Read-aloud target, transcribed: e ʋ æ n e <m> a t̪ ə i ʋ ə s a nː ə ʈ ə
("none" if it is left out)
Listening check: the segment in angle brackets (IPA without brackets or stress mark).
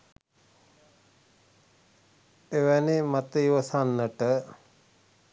m